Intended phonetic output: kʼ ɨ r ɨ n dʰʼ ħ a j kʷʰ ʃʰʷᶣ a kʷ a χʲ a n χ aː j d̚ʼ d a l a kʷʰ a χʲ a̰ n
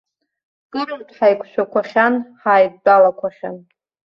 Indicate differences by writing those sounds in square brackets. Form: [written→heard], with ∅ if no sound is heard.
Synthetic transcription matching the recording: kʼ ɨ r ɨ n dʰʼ ħ a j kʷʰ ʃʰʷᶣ a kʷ a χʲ a n [χ→ħ] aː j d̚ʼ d a l a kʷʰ a χʲ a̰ n